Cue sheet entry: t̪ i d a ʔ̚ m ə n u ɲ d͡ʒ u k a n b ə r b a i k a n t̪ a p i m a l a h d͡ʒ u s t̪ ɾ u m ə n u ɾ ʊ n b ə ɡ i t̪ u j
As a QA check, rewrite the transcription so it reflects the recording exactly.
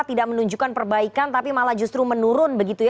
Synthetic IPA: t̪ i d a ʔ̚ m ə n u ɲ d͡ʒ u k a n p ə r b a i k a n t̪ a p i m a l a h d͡ʒ u s t̪ ɾ u m ə n u ɾ ʊ n b ə ɡ i t̪ u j